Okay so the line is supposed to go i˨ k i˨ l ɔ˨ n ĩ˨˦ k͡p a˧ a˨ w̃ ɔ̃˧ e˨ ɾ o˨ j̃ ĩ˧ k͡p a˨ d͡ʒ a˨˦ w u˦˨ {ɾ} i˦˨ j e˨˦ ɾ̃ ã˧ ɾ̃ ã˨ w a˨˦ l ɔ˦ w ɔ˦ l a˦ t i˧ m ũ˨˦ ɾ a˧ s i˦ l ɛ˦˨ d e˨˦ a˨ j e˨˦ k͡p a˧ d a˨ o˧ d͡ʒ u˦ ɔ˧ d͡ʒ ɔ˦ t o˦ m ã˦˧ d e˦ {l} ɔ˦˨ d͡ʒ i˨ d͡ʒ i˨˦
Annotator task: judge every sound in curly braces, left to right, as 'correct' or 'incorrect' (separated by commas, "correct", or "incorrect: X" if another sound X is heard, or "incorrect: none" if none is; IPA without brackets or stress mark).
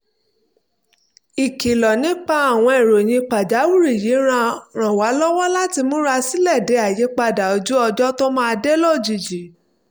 correct, correct